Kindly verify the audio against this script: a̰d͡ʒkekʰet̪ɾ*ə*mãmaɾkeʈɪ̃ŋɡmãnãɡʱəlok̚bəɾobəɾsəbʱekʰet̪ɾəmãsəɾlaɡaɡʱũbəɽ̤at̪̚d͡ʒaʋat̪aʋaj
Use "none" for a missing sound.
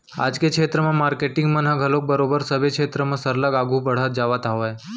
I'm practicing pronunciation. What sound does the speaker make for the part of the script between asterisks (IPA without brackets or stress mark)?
ə